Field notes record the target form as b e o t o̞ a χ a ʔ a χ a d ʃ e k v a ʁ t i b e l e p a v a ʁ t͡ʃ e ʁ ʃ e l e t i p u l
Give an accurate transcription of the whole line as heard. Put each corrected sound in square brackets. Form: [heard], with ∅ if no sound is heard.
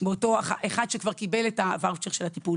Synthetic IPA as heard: b e o t o̞ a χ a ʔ [e] χ a d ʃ e k v a ʁ [k] i b e l e [t] a v a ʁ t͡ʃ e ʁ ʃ e l [a] t i p u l

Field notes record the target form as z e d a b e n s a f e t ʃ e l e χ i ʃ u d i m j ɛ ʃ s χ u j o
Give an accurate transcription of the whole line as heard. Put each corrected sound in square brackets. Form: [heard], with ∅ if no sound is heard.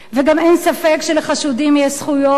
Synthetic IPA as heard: [v] e [ɡ] a [m] e n s a f e [k] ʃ e l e χ [a] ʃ u d i m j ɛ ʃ s χ u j o

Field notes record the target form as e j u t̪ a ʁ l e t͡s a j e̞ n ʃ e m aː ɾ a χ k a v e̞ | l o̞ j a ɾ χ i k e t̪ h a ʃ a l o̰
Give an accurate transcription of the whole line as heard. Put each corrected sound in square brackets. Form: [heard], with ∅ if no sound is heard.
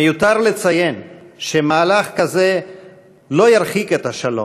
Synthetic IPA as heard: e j u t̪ a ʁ l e t͡s a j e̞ n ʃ e m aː [l] a χ k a [z] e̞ | l o̞ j a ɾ χ i k e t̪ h a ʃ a l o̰

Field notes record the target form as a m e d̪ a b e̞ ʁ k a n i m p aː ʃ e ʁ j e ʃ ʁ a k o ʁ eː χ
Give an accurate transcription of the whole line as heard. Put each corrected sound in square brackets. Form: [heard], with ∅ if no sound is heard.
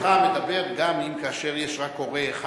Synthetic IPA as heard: a m e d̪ a b e̞ ʁ [ɡ] a [m] i m [k] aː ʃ e ʁ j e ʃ ʁ a k o ʁ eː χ

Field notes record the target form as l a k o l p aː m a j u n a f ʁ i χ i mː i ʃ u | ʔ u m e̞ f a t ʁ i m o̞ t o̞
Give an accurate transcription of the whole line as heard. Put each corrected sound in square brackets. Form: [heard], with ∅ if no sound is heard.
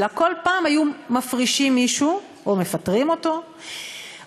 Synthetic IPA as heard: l a k o l p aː m a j u [m] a f ʁ i [ʃ] i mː i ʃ u | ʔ [o] m e̞ f a t ʁ i m o̞ t o̞

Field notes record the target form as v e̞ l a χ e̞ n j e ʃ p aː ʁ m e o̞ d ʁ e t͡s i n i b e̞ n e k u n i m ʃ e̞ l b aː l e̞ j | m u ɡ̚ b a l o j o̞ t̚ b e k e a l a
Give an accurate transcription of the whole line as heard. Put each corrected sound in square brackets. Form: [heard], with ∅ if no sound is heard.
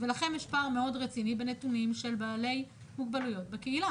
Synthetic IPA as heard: v e̞ l a χ e̞ n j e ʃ p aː ʁ m e o̞ d ʁ e t͡s i n i b e̞ n e [t] u n i m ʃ e̞ l b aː l e̞ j | m u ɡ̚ b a l [u] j o̞ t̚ b e k e [i] l a

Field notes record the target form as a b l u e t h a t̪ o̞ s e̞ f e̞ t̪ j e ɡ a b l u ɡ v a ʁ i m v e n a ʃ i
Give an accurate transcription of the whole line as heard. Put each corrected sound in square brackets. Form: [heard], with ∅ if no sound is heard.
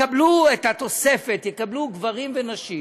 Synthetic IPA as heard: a b l u e t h a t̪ o̞ s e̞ f e̞ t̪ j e [k] a b l u ɡ v a ʁ i m v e n a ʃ i

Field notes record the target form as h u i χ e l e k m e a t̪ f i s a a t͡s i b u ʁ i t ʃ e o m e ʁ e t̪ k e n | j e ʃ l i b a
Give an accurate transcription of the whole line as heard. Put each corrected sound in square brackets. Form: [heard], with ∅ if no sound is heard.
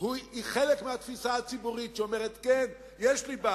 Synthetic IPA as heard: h u i χ e l e k m e a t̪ f i s a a t͡s i b u ʁ i t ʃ e o m e ʁ e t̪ k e n | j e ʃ l i b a

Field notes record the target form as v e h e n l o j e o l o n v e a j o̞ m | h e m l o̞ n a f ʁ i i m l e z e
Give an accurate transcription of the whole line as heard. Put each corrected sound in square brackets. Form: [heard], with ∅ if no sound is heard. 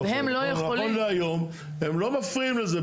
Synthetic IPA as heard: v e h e [m] l o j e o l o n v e a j o̞ m | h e m l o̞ [m] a f ʁ i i m l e z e

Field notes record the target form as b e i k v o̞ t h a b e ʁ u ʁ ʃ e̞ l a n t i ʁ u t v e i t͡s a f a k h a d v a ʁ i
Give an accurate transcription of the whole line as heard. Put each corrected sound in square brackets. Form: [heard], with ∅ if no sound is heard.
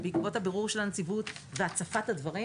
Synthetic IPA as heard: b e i k v o̞ t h a b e ʁ u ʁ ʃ e̞ l a n [t͡s] i [v] u t v e [a] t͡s a f a [t] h a d v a ʁ i

